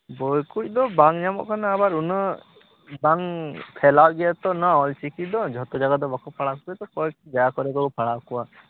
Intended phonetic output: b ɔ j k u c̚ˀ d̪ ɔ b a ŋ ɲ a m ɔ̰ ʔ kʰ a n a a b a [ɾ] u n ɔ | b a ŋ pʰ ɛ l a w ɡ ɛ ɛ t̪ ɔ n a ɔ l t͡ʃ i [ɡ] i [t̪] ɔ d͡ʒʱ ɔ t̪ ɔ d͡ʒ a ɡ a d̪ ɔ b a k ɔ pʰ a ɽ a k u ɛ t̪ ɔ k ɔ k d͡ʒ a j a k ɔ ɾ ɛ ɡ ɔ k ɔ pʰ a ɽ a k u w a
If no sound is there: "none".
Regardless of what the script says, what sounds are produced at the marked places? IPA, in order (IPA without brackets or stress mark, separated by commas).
ɾ, k, d̪